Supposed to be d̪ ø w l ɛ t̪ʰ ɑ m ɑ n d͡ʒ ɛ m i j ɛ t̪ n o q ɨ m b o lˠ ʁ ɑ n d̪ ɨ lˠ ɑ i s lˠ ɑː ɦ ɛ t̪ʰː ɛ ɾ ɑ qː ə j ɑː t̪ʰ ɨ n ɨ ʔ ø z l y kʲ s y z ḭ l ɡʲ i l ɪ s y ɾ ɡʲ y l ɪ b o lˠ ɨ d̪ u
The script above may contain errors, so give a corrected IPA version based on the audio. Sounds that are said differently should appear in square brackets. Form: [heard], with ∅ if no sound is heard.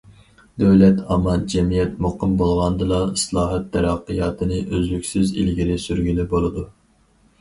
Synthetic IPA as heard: d̪ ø w l ɛ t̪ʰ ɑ m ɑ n d͡ʒ ɛ m i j ɛ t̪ [m] o q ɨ m b o lˠ ʁ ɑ n d̪ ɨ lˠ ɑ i s lˠ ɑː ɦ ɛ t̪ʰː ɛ ɾ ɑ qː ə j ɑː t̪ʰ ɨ n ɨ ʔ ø z l y kʲ s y z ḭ l ɡʲ i l ɪ s y ɾ ɡʲ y l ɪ b o lˠ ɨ d̪ u